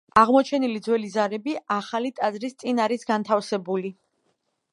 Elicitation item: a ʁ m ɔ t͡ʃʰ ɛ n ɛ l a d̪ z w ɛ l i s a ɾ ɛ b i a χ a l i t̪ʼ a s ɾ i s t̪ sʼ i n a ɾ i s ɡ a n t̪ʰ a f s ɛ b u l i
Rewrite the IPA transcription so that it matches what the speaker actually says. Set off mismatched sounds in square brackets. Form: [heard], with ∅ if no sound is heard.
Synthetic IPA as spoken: a ʁ m ɔ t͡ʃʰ ɛ n [i] l [i] d̪ z w ɛ l i [z] a ɾ ɛ b i a χ a l i t̪ʼ a [z] ɾ i s t̪ sʼ i n a ɾ i s ɡ a n t̪ʰ a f s ɛ b u l i